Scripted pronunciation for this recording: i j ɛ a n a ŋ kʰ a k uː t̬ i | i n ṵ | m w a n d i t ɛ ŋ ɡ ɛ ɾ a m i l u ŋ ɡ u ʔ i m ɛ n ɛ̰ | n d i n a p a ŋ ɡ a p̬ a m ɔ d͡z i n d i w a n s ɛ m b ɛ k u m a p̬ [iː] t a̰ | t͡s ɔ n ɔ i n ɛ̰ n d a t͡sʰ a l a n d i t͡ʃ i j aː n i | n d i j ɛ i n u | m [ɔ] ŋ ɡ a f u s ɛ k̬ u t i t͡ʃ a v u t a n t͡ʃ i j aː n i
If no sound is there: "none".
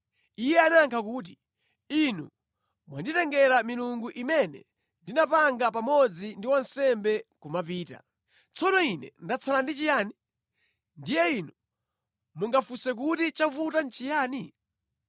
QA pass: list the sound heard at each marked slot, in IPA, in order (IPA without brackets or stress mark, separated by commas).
iː, u